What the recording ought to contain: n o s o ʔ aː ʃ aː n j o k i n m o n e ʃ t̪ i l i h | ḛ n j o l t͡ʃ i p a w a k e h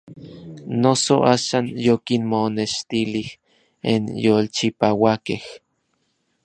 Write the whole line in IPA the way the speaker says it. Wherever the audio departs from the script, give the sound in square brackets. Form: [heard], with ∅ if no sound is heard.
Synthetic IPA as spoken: n o s o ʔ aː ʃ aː n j o k i n m o n e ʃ t̪ i l i h | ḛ n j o l t͡ʃ i p a w a k e h